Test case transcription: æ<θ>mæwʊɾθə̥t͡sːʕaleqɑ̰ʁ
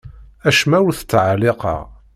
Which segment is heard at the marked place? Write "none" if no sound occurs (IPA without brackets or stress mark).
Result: ʃ